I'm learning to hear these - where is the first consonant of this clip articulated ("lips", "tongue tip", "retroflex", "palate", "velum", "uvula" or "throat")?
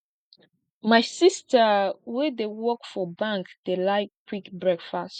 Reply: lips